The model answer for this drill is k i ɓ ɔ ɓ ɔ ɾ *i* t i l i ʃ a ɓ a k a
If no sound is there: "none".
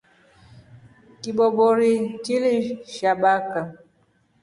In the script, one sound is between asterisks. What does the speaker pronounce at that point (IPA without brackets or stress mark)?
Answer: i